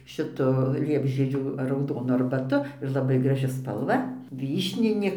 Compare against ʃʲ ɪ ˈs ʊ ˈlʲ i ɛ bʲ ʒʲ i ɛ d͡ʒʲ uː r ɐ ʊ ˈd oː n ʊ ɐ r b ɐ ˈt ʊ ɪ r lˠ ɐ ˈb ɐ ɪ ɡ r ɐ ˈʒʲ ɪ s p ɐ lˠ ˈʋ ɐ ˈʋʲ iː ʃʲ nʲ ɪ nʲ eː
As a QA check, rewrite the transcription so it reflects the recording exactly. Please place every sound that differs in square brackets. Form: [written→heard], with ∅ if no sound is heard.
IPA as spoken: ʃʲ ɪ [ˈs→ˈt] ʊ ˈlʲ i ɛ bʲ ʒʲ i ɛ d͡ʒʲ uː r ɐ ʊ ˈd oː n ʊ ɐ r b ɐ ˈt ʊ ɪ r lˠ ɐ ˈb ɐ ɪ ɡ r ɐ ˈʒʲ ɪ s p ɐ lˠ ˈʋ ɐ ˈʋʲ iː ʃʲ nʲ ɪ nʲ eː